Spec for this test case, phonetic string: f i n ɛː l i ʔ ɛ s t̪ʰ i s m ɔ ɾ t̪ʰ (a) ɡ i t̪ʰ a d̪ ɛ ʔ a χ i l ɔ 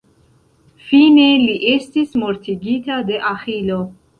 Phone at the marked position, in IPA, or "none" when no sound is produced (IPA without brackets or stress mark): i